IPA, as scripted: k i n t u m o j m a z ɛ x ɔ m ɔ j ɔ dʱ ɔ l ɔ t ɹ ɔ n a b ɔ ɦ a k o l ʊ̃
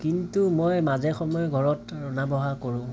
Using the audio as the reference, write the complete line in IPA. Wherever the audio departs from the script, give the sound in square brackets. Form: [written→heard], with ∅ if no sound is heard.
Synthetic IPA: k i n t u m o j m a z ɛ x ɔ m ɔ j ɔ [dʱ→ɡʱ] ɔ [l→ɹ] ɔ t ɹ ɔ n a b ɔ ɦ a k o [l→ɹ] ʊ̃